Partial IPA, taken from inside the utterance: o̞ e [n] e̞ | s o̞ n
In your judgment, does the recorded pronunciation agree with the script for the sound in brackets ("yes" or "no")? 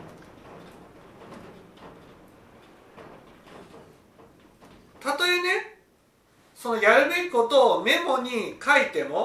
yes